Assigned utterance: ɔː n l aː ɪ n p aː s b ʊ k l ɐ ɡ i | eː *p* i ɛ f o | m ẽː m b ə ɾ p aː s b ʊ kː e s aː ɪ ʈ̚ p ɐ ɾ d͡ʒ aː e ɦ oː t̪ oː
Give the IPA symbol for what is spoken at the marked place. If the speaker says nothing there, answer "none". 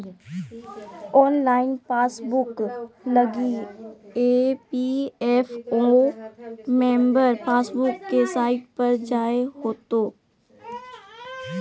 p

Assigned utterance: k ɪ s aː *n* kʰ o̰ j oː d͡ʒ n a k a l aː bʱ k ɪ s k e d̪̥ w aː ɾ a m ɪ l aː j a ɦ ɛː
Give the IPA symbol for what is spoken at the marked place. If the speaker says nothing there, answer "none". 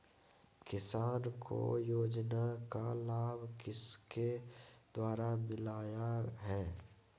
n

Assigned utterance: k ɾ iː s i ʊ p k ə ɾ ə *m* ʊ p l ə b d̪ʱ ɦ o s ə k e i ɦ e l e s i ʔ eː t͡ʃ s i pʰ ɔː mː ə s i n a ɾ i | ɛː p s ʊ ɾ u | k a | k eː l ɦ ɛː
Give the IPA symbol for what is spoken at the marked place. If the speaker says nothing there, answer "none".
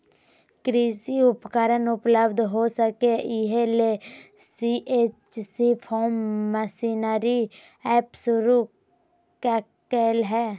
n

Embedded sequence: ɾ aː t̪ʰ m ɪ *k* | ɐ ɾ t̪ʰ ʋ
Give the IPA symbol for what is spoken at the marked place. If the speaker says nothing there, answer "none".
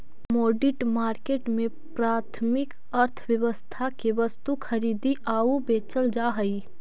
k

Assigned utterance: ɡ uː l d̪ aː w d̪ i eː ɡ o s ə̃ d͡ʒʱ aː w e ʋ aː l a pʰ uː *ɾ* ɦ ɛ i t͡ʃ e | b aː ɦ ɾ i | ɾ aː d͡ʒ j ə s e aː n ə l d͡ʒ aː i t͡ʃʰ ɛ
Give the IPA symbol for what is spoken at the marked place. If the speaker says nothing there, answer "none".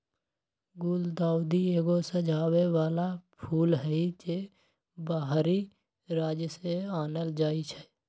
l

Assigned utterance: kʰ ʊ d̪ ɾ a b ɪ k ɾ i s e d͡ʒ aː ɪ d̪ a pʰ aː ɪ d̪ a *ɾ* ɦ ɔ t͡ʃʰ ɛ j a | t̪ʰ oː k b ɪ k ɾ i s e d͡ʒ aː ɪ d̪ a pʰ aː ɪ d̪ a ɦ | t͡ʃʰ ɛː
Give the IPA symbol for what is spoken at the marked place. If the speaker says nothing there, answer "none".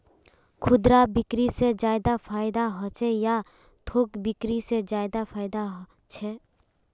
none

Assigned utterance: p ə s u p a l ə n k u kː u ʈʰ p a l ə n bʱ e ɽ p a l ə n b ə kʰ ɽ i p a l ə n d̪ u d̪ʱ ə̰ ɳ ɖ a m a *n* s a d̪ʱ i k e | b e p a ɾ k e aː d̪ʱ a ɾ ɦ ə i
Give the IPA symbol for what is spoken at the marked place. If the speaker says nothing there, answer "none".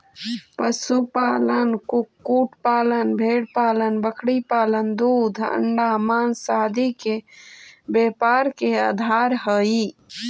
n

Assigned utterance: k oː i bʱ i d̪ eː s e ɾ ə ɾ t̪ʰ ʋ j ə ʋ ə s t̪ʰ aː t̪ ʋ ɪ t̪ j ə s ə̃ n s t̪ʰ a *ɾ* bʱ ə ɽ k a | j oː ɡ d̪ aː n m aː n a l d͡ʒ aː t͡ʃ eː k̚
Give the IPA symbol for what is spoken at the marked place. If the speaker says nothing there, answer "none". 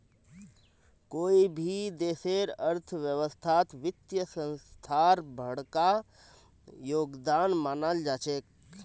ɾ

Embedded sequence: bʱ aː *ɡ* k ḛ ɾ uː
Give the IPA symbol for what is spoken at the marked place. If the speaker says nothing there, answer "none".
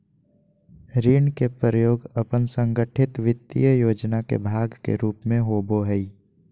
ɡ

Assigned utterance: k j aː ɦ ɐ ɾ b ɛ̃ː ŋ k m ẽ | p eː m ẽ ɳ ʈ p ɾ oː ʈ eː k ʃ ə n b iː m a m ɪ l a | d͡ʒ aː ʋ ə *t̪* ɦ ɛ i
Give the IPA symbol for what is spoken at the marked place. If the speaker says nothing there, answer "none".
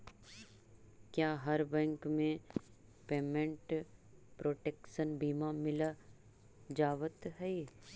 t̪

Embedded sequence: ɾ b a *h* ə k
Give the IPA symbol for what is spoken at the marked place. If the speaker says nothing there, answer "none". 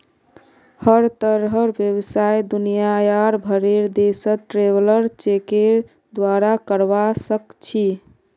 s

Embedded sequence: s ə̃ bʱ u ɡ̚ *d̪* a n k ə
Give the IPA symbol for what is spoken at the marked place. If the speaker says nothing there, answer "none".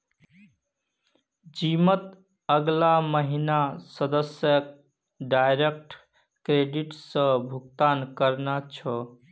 t̪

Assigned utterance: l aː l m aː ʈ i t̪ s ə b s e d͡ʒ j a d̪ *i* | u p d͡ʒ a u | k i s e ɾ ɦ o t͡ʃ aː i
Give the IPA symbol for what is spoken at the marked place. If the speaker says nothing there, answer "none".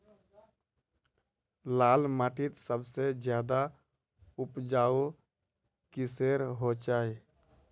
a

